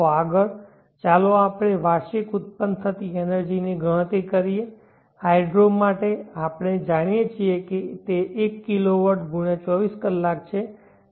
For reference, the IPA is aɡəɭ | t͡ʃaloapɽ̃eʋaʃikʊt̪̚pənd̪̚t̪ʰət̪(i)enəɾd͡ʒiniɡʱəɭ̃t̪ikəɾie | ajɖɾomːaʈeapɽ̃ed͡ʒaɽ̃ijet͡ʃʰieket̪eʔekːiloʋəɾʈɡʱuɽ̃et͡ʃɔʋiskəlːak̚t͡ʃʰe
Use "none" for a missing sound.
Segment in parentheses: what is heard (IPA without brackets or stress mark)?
i